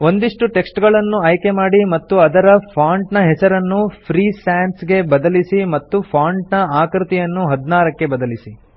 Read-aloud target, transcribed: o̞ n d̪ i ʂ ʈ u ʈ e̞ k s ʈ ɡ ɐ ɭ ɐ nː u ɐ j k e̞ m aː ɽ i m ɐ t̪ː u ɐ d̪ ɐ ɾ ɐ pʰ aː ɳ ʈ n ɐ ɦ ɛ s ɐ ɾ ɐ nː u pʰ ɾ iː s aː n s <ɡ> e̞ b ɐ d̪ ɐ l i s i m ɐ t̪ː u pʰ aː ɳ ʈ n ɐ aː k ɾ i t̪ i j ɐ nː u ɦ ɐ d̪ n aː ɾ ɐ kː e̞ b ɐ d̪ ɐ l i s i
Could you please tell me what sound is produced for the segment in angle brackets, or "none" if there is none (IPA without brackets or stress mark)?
ɡ